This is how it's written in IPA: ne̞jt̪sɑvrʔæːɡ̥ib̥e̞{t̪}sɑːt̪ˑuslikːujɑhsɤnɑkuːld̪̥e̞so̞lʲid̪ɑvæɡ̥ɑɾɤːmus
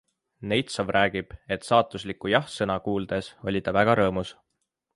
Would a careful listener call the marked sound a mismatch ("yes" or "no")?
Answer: no